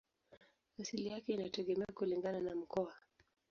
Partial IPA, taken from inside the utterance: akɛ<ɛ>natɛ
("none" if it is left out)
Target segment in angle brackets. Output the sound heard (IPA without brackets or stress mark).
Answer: i